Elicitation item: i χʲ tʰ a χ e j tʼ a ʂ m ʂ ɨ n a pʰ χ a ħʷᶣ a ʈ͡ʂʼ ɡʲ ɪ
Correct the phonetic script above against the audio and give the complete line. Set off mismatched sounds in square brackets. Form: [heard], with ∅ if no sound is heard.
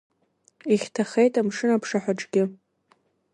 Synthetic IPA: i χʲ tʰ a χ e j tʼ a [∅] m ʂ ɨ n a pʰ [ʂ] a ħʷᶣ a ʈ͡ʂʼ ɡʲ ɪ